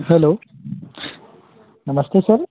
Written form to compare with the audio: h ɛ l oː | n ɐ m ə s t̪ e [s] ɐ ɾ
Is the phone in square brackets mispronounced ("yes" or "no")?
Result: no